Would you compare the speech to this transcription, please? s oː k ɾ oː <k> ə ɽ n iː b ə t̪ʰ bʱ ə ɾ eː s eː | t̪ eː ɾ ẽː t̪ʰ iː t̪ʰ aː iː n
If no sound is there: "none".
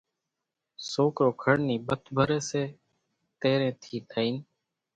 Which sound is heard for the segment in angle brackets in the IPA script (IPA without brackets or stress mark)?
kʰ